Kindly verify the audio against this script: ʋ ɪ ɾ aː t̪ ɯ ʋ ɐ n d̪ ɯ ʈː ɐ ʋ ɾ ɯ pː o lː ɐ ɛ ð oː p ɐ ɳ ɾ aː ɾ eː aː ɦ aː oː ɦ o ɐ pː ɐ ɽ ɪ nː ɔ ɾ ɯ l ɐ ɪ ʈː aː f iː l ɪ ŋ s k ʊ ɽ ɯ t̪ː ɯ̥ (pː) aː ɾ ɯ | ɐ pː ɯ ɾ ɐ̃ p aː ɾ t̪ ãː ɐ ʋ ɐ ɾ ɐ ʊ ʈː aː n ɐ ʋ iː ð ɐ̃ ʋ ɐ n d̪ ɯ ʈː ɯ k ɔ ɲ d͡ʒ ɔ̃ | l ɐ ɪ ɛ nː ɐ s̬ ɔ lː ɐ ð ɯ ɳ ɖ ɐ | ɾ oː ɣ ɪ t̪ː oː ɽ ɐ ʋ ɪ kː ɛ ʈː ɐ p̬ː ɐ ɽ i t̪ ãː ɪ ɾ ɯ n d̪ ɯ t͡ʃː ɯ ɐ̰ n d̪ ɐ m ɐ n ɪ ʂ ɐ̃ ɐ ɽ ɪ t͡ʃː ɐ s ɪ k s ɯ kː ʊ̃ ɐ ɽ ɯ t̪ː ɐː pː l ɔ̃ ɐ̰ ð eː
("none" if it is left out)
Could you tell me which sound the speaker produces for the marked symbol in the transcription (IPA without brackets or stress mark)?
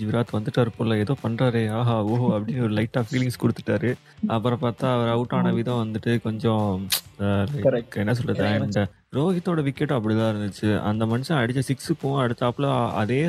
ʈː